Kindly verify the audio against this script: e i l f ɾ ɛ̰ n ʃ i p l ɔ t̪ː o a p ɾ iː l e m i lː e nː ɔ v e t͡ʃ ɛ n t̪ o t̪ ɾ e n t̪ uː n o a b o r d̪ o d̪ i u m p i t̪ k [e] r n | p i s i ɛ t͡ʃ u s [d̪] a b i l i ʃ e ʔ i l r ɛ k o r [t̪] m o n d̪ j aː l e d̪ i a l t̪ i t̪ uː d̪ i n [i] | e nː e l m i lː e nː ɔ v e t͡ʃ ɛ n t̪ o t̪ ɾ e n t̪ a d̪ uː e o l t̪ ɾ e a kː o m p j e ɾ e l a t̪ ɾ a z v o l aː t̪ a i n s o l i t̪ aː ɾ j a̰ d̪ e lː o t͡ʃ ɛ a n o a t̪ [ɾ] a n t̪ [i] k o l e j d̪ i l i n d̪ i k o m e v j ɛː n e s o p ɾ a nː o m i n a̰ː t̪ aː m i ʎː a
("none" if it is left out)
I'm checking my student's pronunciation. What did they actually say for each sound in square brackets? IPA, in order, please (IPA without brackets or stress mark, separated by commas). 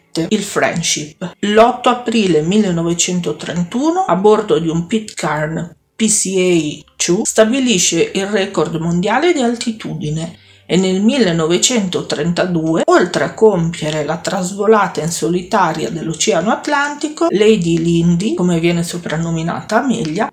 a, t̪, d̪, e, l, i